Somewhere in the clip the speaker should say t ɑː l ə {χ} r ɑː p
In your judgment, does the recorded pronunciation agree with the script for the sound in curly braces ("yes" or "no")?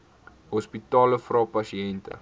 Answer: no